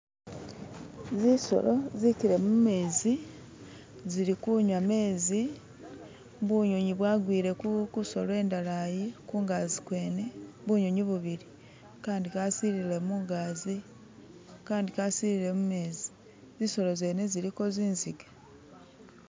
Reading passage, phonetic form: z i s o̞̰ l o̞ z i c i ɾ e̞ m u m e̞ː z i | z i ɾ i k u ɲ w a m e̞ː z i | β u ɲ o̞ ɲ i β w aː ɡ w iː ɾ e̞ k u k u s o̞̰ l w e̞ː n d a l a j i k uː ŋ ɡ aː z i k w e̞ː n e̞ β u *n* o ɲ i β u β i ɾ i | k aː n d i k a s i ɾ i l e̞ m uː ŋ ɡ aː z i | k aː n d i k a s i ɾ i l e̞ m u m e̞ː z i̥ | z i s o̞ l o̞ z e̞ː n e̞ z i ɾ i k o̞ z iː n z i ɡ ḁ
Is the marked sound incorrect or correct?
incorrect